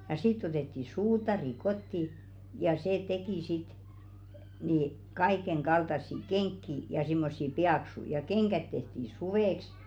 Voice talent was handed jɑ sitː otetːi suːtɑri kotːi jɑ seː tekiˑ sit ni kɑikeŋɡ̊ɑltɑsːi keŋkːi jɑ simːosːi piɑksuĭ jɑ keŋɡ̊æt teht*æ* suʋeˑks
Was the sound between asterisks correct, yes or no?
no